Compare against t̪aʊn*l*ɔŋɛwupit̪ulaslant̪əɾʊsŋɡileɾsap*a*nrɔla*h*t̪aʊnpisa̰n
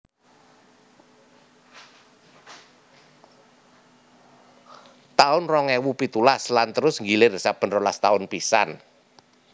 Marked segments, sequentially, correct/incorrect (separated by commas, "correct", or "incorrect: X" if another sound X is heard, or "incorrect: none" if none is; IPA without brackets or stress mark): incorrect: r, incorrect: ə, incorrect: s